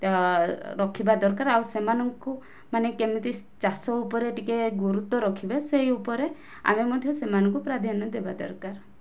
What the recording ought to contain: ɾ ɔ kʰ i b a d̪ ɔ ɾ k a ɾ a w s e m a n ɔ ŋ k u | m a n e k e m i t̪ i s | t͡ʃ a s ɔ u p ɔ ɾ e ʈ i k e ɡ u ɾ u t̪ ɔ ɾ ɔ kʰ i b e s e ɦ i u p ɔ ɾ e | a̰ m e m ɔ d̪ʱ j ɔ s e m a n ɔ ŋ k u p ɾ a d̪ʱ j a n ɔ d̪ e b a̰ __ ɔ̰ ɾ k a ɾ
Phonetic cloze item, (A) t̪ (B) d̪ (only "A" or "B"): B